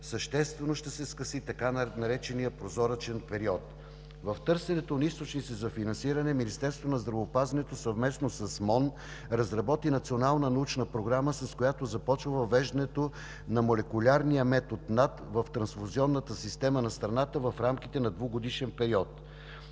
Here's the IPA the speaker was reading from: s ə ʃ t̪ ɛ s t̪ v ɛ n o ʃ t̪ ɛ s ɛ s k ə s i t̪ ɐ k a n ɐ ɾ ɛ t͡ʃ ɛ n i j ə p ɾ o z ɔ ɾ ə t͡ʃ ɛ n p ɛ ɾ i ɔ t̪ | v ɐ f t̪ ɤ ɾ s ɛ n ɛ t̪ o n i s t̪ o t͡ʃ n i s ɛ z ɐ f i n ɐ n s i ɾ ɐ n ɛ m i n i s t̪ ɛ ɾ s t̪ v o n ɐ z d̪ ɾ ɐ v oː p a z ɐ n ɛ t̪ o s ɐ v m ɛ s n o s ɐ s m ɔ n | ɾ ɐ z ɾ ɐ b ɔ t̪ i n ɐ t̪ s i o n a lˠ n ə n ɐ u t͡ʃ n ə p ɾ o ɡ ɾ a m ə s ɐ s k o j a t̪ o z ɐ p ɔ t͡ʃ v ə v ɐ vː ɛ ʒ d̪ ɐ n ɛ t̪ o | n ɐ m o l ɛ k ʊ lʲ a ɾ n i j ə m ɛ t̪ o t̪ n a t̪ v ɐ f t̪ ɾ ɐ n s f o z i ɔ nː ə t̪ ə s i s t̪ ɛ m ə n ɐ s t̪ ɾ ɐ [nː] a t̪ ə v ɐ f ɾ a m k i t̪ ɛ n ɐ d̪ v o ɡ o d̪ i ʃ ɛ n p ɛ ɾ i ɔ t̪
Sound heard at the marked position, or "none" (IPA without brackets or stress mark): n